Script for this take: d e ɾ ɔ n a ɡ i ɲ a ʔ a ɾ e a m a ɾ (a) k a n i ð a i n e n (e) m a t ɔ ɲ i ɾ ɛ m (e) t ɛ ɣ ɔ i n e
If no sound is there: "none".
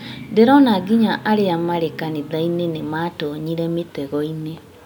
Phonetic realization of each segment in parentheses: e, e, e

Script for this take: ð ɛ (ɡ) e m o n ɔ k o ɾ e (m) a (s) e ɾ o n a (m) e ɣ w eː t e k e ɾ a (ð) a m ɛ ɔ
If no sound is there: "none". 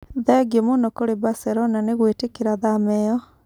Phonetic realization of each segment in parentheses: ɡ, b, s, n, ð

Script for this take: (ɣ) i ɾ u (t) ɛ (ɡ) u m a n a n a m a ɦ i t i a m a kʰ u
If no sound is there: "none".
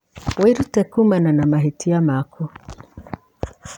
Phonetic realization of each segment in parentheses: w, t, k

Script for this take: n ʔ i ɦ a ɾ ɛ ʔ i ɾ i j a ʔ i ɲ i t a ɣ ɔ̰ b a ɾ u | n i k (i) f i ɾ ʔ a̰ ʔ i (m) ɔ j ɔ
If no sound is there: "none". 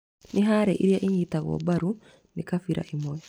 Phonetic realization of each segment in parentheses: a, m

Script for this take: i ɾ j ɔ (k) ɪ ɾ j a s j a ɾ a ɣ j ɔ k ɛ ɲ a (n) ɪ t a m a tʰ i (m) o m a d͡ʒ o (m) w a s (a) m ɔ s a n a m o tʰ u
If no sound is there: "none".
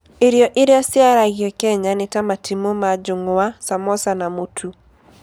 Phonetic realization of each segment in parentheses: ʔ, n, m, ŋ, a

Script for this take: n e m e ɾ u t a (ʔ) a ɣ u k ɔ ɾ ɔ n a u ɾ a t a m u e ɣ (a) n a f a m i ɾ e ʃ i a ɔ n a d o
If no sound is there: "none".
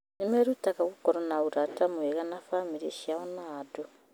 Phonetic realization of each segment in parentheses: k, a

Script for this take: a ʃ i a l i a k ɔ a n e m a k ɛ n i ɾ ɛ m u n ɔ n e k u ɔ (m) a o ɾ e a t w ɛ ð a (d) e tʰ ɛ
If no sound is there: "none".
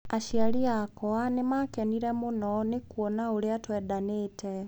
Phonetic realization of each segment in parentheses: n, n

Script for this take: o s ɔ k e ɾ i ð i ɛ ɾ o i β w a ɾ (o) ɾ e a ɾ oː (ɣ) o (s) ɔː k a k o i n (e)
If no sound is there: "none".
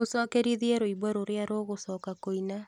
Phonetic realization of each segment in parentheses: o, ɣ, s, a

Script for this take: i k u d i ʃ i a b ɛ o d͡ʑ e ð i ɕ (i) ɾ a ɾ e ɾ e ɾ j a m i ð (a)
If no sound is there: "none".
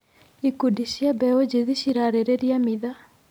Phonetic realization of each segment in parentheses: i, a

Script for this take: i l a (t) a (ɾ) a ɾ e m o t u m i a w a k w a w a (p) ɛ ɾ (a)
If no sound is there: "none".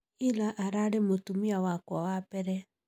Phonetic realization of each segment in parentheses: ʔ, ɾ, p, ɛ

